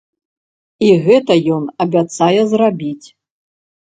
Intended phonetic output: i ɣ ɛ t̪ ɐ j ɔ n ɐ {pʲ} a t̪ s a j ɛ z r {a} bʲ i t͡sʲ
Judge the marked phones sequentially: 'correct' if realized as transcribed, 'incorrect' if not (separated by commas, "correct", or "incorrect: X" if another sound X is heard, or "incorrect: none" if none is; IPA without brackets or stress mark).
incorrect: bʲ, correct